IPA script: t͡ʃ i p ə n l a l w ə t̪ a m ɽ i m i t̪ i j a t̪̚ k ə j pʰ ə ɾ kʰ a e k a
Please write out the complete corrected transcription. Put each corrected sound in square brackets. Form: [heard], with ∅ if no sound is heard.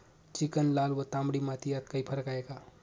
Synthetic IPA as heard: t͡ʃ i [k] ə n l a l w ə t̪ a m ɽ i m [a] t̪ i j a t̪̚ k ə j pʰ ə ɾ [k] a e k a